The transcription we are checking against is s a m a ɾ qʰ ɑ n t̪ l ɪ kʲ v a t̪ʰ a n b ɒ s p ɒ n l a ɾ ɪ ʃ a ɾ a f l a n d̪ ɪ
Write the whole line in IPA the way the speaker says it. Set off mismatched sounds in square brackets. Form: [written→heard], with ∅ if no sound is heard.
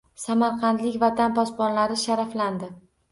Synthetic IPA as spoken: s a m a ɾ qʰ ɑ n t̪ l ɪ kʲ v a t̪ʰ a n [b→p] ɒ s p ɒ n l a ɾ ɪ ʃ a ɾ a f l a n d̪ ɪ